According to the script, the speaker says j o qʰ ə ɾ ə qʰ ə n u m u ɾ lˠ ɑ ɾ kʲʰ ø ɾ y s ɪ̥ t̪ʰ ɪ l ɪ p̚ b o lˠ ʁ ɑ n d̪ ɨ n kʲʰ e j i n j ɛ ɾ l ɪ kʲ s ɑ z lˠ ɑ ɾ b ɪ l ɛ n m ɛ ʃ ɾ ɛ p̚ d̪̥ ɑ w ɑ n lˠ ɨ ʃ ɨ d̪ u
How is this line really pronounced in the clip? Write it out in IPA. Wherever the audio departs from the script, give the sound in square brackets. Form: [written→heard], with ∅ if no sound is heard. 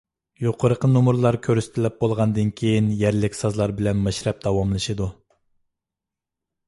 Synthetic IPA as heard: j o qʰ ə ɾ ə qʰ ə n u m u ɾ lˠ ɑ ɾ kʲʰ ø ɾ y s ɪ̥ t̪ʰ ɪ l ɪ p̚ b o lˠ ʁ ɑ n d̪ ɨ n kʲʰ e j i n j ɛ ɾ l ɪ kʲ s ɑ z lˠ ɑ ɾ b ɪ l ɛ n m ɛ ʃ ɾ ɛ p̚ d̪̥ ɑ w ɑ [n→m] lˠ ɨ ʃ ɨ d̪ u